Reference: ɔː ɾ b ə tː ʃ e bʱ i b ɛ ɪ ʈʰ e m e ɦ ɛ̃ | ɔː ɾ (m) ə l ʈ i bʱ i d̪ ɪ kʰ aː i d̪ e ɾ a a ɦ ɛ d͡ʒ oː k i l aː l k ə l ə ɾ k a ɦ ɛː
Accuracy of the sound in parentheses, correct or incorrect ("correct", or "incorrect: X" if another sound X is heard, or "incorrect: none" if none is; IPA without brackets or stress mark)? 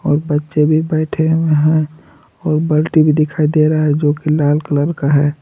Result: incorrect: b